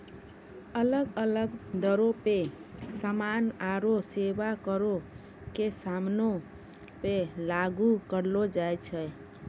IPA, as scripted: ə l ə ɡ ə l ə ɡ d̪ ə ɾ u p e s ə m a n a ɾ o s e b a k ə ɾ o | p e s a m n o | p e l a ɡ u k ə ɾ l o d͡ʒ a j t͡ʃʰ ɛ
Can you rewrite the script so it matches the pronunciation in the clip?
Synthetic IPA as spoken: ə l ə ɡ ə l ə ɡ d̪ ə ɾ o p e s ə m a n a ɾ o s e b a k ə ɾ o | k e s a m n o | p e l a ɡ u k ə ɾ l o d͡ʒ a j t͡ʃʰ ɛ